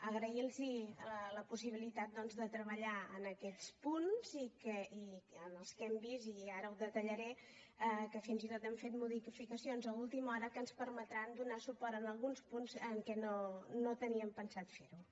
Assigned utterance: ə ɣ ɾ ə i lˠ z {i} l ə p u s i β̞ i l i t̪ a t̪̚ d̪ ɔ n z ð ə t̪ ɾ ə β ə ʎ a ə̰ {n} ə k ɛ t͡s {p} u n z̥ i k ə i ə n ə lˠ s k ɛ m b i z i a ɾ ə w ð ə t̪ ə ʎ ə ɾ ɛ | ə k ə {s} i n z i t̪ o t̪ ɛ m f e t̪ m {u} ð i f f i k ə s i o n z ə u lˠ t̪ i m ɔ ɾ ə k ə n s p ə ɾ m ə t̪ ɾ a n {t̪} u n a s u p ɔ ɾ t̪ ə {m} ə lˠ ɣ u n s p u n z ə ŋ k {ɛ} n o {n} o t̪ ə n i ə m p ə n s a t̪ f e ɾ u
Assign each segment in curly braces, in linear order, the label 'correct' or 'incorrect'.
correct, correct, correct, incorrect: f, correct, incorrect: d̪, incorrect: n, correct, correct

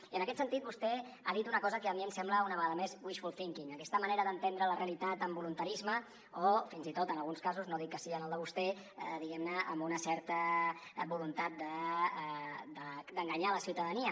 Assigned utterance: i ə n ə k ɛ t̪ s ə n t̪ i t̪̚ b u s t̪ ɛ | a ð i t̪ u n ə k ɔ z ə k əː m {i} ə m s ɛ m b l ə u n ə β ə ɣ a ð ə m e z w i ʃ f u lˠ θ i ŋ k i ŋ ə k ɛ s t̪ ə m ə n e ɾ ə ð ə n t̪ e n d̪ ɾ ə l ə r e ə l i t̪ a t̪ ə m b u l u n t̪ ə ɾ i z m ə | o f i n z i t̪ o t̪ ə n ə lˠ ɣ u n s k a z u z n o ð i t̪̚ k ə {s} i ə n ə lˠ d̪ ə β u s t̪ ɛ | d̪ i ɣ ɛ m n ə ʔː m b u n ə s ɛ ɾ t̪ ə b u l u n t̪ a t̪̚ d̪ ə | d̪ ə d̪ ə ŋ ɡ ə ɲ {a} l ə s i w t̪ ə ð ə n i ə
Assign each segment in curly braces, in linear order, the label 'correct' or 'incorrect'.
correct, correct, correct

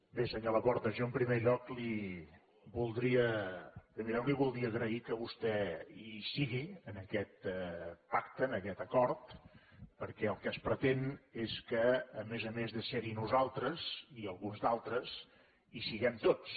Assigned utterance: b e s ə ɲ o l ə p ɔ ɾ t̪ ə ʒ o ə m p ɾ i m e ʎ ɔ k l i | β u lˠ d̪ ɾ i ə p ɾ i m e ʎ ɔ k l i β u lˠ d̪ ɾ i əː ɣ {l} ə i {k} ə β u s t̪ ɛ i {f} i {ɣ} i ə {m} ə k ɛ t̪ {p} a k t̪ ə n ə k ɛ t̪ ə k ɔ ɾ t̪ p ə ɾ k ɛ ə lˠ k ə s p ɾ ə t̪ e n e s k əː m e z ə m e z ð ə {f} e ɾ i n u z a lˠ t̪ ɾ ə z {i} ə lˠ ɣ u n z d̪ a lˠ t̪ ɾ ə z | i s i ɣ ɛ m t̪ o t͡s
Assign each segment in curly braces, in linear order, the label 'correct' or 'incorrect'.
incorrect: ɾ, correct, incorrect: s, correct, incorrect: n, correct, incorrect: s, correct

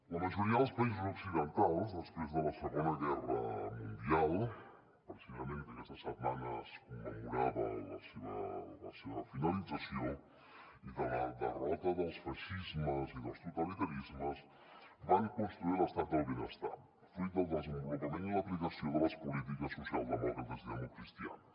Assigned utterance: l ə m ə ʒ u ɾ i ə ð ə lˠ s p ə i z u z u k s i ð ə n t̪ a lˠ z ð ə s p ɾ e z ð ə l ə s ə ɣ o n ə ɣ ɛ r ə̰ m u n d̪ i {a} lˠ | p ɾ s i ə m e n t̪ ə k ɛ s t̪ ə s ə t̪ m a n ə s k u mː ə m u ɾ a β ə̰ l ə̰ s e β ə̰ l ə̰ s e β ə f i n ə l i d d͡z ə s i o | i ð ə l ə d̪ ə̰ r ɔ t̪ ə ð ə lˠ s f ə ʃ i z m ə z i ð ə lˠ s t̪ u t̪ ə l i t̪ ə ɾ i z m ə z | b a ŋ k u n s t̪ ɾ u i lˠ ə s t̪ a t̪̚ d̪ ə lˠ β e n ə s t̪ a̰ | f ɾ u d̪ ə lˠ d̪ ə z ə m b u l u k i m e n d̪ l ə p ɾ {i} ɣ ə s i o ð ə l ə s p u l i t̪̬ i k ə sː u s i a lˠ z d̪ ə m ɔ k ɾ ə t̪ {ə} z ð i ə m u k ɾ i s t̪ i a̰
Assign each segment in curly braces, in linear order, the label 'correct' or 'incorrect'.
correct, correct, correct

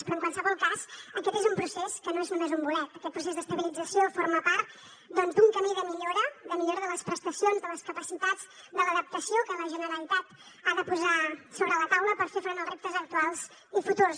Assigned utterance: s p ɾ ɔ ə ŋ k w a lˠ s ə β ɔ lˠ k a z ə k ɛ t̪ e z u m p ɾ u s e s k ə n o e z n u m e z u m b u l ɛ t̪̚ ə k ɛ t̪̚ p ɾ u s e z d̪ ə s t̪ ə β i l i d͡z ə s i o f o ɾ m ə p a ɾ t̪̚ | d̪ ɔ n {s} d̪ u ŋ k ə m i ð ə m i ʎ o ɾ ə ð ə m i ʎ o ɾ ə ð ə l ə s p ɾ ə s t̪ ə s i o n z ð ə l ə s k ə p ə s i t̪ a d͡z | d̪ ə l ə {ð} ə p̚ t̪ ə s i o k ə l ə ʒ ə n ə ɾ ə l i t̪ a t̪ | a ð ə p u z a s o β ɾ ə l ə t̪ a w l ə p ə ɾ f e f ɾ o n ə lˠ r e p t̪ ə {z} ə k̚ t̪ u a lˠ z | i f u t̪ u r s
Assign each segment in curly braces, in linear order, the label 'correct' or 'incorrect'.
incorrect: z, correct, correct

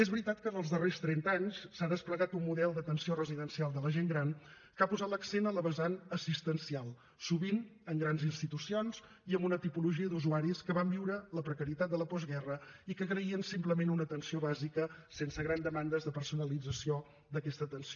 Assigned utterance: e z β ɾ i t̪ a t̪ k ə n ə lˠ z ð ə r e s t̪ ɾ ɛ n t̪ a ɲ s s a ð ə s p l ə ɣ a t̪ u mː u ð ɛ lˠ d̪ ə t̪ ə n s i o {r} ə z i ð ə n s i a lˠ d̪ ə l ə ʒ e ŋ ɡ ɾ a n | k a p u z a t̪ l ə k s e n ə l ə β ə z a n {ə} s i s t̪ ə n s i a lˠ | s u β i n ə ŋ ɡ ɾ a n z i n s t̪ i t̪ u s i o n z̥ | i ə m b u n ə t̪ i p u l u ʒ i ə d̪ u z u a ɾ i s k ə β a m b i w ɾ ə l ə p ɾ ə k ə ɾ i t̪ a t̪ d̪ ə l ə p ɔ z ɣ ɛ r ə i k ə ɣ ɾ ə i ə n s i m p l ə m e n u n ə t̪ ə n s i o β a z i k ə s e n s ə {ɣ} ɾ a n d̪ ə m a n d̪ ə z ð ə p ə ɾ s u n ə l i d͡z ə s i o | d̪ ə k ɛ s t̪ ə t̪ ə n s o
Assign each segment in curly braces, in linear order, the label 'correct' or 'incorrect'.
correct, correct, correct

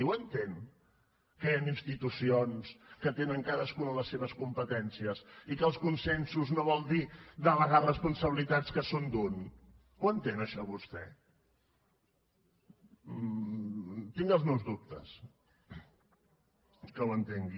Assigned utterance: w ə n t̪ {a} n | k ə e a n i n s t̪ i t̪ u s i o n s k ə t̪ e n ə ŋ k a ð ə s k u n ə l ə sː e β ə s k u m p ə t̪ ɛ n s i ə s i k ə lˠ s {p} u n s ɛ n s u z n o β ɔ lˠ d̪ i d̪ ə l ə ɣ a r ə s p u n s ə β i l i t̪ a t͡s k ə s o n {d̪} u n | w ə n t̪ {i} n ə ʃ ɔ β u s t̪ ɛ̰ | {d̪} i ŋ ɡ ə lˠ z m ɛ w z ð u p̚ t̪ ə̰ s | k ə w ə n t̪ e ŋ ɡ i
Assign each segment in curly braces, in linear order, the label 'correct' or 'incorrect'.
incorrect: e, incorrect: k, correct, incorrect: e, incorrect: t̪

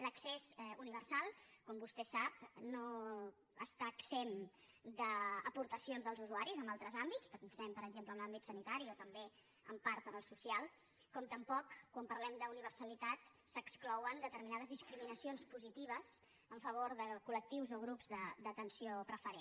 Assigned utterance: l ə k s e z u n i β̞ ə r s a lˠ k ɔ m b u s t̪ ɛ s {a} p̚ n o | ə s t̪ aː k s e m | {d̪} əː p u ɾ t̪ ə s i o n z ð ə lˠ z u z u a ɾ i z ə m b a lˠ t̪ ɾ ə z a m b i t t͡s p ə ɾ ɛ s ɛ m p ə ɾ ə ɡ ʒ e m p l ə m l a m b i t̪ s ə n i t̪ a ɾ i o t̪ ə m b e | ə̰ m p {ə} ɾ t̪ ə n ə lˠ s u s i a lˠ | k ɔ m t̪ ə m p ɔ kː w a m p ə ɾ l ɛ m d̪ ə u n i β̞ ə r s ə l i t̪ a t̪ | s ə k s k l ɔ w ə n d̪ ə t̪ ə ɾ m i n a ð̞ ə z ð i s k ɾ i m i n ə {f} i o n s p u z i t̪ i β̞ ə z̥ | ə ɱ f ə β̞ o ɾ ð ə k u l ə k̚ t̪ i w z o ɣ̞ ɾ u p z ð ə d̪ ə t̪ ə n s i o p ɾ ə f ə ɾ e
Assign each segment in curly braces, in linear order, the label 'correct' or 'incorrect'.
correct, correct, incorrect: a, incorrect: s

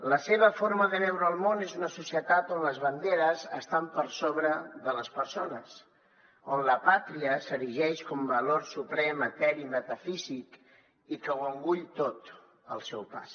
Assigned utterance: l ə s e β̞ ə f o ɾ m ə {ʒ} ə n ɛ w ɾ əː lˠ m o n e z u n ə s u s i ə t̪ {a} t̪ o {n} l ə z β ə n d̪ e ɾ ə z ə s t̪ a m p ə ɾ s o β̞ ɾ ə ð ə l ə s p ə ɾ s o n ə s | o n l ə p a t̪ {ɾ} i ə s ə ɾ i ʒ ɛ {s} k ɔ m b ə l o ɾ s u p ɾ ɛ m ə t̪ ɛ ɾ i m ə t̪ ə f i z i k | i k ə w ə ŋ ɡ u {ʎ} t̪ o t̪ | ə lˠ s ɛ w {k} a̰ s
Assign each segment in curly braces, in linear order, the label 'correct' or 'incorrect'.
incorrect: ð, correct, correct, correct, incorrect: ʃ, correct, incorrect: p

